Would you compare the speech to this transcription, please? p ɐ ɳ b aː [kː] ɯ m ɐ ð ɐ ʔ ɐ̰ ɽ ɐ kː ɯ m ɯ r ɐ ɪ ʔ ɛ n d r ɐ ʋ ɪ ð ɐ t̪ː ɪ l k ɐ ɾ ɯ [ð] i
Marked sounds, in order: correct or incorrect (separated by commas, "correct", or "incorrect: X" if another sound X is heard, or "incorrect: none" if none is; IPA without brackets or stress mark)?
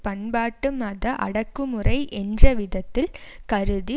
incorrect: ʈː, correct